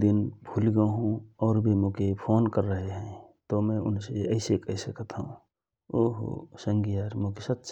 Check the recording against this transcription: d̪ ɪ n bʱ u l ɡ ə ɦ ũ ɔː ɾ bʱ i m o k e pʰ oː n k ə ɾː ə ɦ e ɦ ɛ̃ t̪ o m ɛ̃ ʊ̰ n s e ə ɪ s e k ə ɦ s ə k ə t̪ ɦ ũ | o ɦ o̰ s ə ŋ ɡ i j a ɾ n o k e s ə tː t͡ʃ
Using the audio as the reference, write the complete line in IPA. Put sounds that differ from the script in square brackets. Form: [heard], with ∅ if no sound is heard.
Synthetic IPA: d̪ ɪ n bʱ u l ɡ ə ɦ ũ ɔː ɾ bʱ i m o k e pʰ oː n k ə ɾː ə ɦ e ɦ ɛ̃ t̪ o m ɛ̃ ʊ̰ n s e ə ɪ s e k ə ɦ s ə k ə t̪ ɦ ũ | o ɦ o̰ s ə ŋ ɡ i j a ɾ [m] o k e s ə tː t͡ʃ